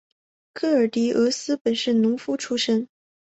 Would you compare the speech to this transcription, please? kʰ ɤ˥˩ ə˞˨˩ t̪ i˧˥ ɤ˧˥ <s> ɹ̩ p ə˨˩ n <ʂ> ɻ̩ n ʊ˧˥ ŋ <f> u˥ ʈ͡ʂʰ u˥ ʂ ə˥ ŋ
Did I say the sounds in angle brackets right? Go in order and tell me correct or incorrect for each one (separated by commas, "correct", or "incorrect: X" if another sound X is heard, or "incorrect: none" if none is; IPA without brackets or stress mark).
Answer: correct, correct, correct